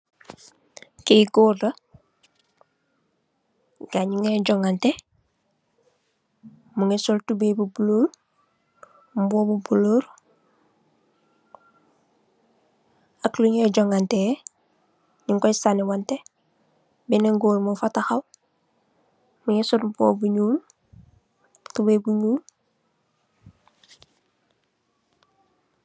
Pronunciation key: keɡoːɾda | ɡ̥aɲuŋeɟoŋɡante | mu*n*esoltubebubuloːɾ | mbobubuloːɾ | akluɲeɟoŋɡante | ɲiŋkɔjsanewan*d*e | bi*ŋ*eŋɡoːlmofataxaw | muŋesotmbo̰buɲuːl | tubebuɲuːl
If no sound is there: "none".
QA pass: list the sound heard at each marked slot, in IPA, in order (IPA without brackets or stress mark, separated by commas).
ŋ, t, n